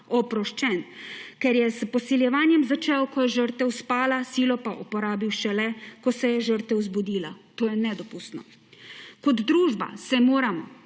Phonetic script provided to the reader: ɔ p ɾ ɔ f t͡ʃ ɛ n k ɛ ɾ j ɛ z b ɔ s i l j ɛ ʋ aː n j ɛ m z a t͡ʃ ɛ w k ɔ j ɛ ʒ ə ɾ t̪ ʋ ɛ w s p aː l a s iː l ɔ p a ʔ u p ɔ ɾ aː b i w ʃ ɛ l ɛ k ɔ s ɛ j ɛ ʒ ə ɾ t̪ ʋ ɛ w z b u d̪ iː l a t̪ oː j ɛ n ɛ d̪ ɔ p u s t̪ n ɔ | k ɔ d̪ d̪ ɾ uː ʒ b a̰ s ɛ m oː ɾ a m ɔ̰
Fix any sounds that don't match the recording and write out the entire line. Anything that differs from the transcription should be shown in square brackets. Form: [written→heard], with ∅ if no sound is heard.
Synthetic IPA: ɔ p ɾ ɔ [f→ʃ] t͡ʃ ɛ n k ɛ ɾ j ɛ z [b→p] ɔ s i l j ɛ ʋ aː n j ɛ m z a t͡ʃ ɛ w k ɔ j ɛ ʒ ə ɾ t̪ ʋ ɛ w s p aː l a s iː l ɔ p a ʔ u p ɔ ɾ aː b i w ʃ ɛ l ɛ k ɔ s ɛ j ɛ ʒ ə ɾ t̪ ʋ ɛ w z b u d̪ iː l a t̪ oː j ɛ n ɛ d̪ ɔ p u s t̪ n ɔ | k ɔ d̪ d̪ ɾ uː ʒ b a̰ s ɛ m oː ɾ a m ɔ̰